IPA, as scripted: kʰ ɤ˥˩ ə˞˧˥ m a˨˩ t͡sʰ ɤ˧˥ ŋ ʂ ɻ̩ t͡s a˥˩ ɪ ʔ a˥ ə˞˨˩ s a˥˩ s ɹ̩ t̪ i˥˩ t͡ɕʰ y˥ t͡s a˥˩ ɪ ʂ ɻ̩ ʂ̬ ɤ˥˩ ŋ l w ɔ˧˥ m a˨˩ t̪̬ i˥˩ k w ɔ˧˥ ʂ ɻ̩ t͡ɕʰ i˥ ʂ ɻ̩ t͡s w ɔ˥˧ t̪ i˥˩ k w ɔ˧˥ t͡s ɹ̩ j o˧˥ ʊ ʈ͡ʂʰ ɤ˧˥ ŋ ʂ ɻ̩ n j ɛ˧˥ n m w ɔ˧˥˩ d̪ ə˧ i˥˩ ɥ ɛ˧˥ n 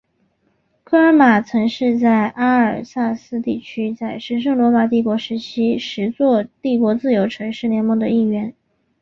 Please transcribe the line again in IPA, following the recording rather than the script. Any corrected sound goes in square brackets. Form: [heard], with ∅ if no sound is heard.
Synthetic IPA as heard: kʰ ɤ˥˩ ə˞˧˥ m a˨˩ t͡sʰ ɤ˧˥ ŋ ʂ ɻ̩ t͡s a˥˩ ɪ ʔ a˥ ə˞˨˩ s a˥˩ s ɹ̩ t̪ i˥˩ t͡ɕʰ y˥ t͡s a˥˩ ɪ ʂ ɻ̩ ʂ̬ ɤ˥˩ ŋ l w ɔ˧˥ m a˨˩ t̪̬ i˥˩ k w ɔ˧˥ ʂ ɻ̩ t͡ɕʰ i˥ ʂ ɻ̩ t͡s w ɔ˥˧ t̪ i˥˩ k w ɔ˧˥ t͡s ɹ̩ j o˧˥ ʊ ʈ͡ʂʰ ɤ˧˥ ŋ ʂ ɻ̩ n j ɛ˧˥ n m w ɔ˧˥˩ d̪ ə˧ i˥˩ ɥ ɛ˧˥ n